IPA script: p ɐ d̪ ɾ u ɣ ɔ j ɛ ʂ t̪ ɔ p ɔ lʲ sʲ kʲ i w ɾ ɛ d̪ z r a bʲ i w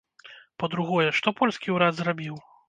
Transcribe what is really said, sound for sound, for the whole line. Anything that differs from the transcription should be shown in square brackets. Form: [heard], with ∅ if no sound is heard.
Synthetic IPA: p ɐ d̪ ɾ u ɣ ɔ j ɛ ʂ t̪ ɔ p ɔ lʲ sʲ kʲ i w ɾ [a] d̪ z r a bʲ i w